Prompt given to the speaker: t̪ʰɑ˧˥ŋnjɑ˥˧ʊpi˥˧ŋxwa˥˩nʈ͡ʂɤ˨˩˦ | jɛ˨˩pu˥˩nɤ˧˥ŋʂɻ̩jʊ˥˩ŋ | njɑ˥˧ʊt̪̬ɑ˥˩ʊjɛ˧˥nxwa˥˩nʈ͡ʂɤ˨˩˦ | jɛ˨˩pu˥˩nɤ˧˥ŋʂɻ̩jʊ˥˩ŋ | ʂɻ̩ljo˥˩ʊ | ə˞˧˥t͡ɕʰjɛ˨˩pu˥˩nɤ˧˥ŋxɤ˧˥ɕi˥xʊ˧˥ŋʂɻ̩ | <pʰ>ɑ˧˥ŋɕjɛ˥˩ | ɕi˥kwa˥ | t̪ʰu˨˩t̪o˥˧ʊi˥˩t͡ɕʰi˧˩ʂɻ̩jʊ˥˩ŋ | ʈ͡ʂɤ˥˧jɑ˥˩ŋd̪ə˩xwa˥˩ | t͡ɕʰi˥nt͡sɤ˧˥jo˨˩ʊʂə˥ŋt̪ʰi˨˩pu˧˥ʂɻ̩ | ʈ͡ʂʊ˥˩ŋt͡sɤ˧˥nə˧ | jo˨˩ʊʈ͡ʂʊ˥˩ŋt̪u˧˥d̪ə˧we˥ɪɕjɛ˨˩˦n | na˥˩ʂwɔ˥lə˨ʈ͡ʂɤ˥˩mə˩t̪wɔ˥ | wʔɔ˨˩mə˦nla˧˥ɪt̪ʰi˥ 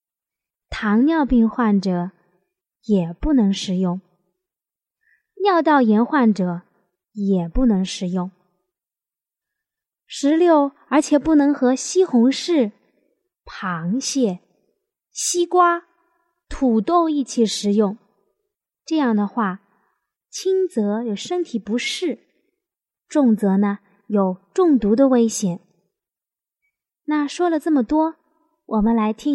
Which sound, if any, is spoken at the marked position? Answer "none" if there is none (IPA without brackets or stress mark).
pʰ